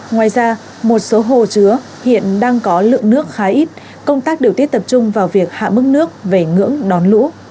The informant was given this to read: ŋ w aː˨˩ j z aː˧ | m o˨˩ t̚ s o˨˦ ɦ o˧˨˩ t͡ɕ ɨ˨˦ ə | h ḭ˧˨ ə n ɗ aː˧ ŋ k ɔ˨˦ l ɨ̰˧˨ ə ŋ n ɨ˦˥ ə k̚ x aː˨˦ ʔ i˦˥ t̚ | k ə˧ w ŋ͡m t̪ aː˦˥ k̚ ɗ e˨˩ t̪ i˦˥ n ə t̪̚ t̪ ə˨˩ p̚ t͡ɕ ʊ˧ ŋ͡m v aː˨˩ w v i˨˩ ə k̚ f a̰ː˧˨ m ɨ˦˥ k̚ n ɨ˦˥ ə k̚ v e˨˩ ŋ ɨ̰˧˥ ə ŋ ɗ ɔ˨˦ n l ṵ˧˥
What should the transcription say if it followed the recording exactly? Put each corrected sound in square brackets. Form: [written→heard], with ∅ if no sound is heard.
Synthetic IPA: ŋ w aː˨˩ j z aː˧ | m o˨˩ t̚ s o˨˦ ɦ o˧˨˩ t͡ɕ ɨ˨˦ ə | h ḭ˧˨ ə n ɗ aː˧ ŋ k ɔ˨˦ l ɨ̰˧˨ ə ŋ n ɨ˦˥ ə k̚ x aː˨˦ ʔ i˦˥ t̚ | k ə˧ w ŋ͡m t̪ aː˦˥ k̚ ɗ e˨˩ t̪ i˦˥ [n→∅] ə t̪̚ t̪ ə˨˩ p̚ t͡ɕ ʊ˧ ŋ͡m v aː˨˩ w v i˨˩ ə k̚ [f→h] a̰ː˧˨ m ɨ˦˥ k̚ n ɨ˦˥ ə k̚ v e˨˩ ŋ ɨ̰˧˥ ə ŋ ɗ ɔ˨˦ n l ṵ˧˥

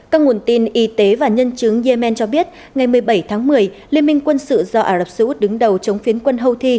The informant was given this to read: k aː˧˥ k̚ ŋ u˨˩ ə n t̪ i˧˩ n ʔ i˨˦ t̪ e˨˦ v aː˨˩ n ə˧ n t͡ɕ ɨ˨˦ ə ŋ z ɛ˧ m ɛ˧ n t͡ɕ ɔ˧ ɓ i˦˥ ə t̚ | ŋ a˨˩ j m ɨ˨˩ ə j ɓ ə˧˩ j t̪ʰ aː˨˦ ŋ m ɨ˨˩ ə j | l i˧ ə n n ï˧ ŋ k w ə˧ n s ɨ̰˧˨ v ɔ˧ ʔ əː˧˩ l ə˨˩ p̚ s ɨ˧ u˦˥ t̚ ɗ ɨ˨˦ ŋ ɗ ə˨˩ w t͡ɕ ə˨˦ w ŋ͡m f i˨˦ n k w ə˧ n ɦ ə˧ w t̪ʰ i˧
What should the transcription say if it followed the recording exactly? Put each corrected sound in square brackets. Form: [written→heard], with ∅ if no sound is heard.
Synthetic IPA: k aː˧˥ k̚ ŋ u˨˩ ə n t̪ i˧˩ n ʔ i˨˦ t̪ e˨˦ v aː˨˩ [n→ɲ] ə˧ n t͡ɕ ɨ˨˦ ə ŋ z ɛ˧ m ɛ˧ n t͡ɕ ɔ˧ ɓ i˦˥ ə t̚ | ŋ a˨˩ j m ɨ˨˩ ə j ɓ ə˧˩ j t̪ʰ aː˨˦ ŋ m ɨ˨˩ ə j | l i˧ ə n [n→m] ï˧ ŋ k w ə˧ n s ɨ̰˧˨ [v→z] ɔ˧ ʔ [əː˧˩→aː˧˩] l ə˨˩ p̚ s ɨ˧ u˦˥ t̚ ɗ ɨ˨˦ ŋ ɗ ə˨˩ w t͡ɕ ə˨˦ w ŋ͡m f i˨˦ n k w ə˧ n ɦ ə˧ w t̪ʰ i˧

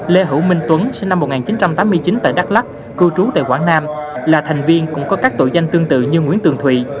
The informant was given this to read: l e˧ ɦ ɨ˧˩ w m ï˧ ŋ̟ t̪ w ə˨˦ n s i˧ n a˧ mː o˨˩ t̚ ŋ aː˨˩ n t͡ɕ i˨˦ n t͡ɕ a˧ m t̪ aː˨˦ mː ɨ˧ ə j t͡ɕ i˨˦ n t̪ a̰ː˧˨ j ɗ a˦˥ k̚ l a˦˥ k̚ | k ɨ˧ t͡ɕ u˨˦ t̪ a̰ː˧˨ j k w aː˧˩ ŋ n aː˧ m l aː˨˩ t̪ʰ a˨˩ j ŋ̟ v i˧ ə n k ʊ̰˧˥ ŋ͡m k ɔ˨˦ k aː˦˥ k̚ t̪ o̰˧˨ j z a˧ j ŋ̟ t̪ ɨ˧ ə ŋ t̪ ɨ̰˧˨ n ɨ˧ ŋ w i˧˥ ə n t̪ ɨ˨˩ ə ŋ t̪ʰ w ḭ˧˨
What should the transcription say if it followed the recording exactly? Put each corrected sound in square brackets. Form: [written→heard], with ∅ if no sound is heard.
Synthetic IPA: l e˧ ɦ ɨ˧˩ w m ï˧ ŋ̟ t̪ w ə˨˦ n s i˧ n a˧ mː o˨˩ t̚ ŋ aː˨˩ n t͡ɕ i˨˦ n t͡ɕ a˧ m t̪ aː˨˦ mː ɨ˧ ə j t͡ɕ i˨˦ n t̪ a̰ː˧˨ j ɗ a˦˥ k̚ l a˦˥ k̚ | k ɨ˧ t͡ɕ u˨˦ t̪ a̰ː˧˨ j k w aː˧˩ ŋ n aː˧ m l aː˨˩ t̪ʰ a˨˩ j ŋ̟ v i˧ ə n k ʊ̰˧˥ ŋ͡m k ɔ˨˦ k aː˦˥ k̚ t̪ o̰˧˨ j z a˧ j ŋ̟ t̪ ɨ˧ ə ŋ t̪ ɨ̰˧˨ [n→ɲ] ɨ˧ ŋ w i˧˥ ə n t̪ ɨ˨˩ ə ŋ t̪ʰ w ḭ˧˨

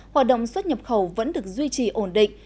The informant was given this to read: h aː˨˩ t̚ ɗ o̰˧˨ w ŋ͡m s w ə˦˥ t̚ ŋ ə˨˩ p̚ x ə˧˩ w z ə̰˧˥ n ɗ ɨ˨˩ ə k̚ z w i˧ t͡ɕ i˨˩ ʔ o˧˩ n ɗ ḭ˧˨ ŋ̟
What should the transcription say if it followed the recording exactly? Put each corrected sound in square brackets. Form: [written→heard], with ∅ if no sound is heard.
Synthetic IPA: h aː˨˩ t̚ ɗ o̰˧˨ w ŋ͡m s w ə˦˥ t̚ [ŋ→ɲ] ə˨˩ p̚ x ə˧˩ w [z→v] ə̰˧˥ n ɗ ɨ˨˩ ə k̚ z w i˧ t͡ɕ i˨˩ ʔ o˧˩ n ɗ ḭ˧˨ ŋ̟

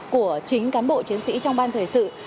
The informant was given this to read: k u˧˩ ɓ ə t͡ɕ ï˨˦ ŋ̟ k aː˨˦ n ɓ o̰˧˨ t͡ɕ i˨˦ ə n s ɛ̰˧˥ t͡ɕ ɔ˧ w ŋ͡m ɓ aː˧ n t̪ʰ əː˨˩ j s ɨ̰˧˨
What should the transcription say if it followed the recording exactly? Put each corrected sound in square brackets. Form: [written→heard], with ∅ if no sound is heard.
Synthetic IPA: k u˧˩ [ɓ→∅] ə t͡ɕ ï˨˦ ŋ̟ k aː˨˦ n ɓ o̰˧˨ t͡ɕ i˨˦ ə n s [ɛ̰˧˥→ḭ˧˥] t͡ɕ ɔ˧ w ŋ͡m ɓ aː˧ n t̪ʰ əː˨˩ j s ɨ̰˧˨

